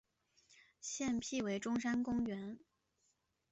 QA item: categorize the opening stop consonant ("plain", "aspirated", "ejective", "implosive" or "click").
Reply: aspirated